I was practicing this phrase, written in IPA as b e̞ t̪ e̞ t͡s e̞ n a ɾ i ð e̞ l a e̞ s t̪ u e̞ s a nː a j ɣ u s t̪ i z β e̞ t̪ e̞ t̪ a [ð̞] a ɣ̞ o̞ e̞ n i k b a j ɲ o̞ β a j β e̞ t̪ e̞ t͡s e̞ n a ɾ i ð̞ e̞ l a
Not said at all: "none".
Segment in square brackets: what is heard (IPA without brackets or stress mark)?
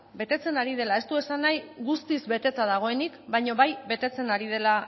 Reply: ð̞